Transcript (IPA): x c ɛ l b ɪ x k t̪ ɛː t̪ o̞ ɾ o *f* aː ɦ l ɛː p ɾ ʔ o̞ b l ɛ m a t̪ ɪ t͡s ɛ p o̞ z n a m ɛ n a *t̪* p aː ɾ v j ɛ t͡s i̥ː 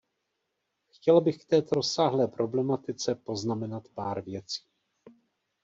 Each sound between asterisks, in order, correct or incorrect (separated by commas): incorrect, correct